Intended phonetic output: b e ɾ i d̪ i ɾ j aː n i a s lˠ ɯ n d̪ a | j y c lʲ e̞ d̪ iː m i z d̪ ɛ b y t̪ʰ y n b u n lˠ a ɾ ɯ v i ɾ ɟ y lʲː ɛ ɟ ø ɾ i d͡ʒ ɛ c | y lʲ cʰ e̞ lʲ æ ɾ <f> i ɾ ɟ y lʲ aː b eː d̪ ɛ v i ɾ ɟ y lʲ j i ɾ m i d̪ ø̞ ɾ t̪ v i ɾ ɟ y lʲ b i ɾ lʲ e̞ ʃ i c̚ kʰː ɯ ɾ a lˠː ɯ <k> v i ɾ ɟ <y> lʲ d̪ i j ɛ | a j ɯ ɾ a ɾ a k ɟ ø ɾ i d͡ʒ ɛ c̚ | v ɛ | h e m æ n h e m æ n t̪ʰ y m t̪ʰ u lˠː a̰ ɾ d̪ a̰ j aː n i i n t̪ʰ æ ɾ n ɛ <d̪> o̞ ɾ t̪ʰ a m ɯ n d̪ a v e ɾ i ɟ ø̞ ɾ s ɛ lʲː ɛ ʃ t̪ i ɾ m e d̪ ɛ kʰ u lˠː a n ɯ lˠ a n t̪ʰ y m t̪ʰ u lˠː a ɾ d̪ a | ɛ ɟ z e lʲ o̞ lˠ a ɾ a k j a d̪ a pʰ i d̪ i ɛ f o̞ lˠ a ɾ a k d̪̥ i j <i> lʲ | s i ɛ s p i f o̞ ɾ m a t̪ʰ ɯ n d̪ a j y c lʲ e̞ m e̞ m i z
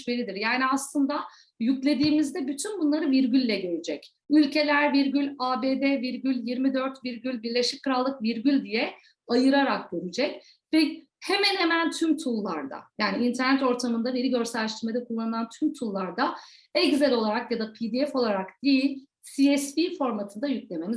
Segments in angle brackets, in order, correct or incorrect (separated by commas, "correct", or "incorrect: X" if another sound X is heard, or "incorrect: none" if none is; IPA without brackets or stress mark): incorrect: v, correct, correct, incorrect: t̪, correct